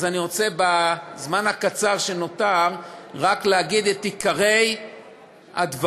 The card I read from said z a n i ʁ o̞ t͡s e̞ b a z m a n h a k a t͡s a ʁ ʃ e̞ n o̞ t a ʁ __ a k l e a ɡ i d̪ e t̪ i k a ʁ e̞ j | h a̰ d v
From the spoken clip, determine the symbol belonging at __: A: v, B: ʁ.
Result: B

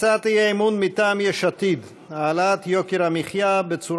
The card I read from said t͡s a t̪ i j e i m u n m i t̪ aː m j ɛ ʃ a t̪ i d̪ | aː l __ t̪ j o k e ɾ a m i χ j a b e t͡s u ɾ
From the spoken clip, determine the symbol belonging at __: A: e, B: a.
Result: B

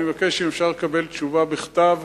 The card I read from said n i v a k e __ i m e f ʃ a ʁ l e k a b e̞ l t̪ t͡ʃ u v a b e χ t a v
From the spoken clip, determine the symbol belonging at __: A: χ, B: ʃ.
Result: B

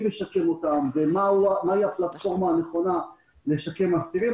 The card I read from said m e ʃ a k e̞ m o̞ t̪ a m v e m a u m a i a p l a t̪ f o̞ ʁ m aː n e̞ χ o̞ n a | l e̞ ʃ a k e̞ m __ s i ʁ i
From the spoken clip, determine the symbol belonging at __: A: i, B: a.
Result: B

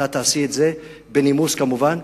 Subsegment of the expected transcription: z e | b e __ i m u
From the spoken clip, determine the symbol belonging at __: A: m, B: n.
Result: B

